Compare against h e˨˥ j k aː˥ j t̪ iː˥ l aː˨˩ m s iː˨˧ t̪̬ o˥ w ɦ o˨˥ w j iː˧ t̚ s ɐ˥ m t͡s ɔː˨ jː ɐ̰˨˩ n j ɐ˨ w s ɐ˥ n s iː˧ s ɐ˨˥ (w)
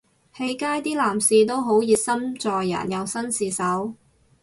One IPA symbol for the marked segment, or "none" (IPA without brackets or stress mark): w